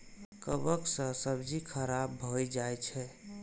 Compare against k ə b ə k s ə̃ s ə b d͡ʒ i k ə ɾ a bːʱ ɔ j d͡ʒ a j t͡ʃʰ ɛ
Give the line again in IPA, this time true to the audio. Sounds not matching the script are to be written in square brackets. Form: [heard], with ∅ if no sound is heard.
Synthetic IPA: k ə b ə k s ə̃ s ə b d͡ʒ i [kʰ] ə ɾ a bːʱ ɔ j d͡ʒ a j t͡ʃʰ ɛ